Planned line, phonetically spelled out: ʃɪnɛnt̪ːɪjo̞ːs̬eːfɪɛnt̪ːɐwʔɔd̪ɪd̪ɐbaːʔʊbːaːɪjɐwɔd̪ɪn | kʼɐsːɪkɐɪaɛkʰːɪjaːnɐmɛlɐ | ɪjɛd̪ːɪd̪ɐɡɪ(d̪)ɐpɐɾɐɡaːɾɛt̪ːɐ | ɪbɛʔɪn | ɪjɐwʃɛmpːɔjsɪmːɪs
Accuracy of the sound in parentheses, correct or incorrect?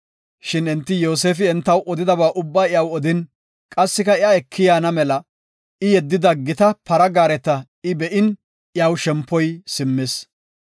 incorrect